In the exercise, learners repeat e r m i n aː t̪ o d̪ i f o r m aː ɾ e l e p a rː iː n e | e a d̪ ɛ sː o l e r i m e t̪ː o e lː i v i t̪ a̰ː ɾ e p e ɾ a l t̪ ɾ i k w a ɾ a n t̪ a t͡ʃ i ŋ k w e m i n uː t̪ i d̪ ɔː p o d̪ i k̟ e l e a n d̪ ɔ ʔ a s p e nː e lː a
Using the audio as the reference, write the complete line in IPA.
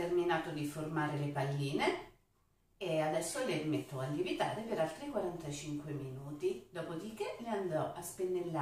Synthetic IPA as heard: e r m i n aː t̪ o d̪ i f o r m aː ɾ e l e p a lː iː n e | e a d̪ ɛ sː o l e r i m e t̪ː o a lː i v i t̪ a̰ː ɾ e p e ɾ a l t̪ ɾ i k w a ɾ a n t̪ a t͡ʃ i ŋ k w e m i n uː t̪ i d̪ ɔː p o d̪ i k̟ e l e a n d̪ ɔ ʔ a s p e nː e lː a